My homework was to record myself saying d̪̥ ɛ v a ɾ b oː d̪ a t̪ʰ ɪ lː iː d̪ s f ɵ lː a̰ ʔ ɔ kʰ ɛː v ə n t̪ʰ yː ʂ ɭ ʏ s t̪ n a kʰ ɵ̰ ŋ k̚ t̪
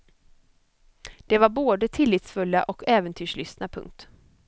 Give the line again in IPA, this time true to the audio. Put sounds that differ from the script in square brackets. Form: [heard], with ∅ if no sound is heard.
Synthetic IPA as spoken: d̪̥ ɛ v a ɾ b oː d̪ [ə] t̪ʰ ɪ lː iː [t̪] s f ɵ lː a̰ ʔ ɔ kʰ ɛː v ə n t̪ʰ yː ʂ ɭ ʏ s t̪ n a [pʰ] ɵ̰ ŋ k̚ t̪